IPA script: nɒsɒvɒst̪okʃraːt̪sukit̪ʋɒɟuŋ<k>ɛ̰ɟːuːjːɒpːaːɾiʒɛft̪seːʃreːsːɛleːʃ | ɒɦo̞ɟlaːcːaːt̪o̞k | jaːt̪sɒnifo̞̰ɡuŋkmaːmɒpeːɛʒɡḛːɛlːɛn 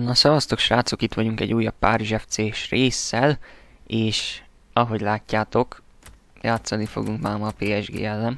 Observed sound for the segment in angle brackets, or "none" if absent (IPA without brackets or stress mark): k